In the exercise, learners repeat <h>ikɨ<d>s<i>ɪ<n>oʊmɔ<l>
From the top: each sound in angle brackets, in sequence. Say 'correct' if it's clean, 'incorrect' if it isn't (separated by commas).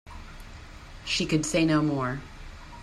incorrect, correct, incorrect, correct, incorrect